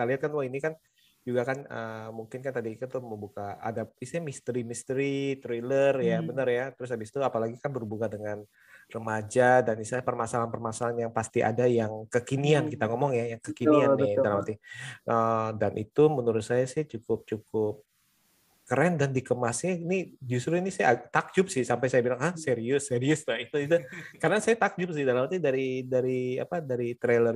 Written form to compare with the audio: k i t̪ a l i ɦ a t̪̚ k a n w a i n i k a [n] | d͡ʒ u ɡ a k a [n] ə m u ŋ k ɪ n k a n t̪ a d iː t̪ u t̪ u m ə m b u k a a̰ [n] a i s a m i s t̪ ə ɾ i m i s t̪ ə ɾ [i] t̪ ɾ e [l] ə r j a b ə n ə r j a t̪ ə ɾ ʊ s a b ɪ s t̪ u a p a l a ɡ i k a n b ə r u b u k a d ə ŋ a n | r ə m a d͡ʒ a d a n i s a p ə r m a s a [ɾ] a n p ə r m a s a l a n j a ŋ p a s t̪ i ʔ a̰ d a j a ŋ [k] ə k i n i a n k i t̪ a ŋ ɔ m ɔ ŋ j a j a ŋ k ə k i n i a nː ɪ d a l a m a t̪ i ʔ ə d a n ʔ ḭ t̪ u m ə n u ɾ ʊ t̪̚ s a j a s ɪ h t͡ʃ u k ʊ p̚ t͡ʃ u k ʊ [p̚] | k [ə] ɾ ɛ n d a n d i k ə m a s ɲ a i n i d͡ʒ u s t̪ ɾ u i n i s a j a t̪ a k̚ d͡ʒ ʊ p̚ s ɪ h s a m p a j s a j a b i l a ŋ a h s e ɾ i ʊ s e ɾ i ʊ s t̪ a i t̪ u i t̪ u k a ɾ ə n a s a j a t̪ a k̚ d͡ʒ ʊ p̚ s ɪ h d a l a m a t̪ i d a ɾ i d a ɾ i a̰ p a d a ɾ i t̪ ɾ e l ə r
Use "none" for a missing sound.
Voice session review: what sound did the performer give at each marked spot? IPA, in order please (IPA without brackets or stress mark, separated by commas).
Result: n, n, d, i, l, l, k, p̚, ə